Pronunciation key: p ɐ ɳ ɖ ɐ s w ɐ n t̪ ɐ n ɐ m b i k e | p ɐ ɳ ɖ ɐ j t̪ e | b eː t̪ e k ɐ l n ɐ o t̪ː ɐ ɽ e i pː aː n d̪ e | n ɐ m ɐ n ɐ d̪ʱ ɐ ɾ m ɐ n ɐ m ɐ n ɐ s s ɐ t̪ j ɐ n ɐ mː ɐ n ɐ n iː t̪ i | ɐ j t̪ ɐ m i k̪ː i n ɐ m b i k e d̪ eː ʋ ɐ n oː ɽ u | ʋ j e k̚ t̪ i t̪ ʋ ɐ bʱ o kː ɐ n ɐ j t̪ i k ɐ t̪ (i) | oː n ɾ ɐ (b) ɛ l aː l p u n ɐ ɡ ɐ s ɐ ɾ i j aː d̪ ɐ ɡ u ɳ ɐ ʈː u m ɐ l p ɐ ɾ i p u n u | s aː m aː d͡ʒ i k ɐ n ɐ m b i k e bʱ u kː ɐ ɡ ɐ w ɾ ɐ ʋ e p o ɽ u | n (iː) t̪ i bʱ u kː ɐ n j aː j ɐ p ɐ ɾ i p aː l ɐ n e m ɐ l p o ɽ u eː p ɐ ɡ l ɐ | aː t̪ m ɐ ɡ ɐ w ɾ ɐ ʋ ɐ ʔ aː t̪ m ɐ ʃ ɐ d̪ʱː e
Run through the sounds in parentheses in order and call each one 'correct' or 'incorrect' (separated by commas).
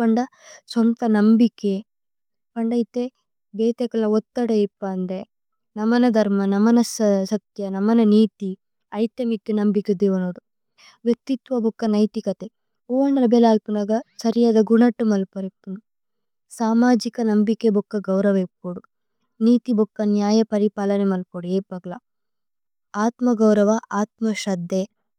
incorrect, correct, correct